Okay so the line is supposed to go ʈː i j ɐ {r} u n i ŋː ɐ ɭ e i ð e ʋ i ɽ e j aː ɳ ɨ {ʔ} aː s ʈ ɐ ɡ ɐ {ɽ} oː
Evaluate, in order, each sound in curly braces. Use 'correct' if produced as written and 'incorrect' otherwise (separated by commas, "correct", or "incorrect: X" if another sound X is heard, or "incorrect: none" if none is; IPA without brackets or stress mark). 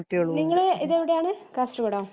incorrect: ɭ, incorrect: k, correct